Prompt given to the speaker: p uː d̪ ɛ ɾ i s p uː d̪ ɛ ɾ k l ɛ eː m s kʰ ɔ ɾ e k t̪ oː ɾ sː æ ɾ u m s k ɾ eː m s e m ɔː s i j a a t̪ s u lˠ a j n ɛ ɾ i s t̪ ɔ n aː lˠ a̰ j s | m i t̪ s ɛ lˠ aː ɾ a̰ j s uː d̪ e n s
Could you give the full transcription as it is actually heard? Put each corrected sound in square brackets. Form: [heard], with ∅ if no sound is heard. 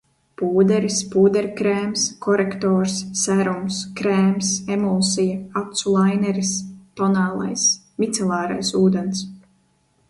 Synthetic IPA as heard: p uː d̪ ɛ ɾ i s p uː d̪ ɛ ɾ k [ɾ] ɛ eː m s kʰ ɔ ɾ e k t̪ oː ɾ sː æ ɾ u m s k ɾ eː m s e m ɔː s i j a a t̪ s u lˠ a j n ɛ ɾ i s t̪ ɔ n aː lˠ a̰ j s | m i t̪ s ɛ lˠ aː ɾ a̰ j s uː d̪ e n s